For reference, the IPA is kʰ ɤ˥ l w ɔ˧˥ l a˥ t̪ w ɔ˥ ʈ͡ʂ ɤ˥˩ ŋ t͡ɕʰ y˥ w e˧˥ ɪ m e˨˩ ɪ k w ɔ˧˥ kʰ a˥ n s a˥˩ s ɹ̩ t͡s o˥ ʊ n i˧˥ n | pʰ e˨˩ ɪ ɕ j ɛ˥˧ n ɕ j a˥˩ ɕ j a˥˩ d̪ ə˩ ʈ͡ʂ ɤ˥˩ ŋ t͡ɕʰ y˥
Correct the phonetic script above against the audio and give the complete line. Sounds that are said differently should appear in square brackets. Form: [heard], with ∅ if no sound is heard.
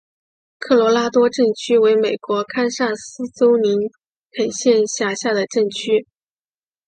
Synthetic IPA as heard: kʰ [ɤ˥˩] l w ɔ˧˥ l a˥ t̪ w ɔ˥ ʈ͡ʂ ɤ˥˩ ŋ t͡ɕʰ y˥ w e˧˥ ɪ m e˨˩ ɪ k w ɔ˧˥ kʰ a˥ n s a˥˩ s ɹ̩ t͡s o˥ ʊ n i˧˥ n | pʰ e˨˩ ɪ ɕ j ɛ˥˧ n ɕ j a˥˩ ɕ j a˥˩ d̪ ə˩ ʈ͡ʂ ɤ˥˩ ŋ t͡ɕʰ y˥